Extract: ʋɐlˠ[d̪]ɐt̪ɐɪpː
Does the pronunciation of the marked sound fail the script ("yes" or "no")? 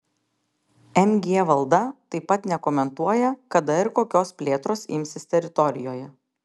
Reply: no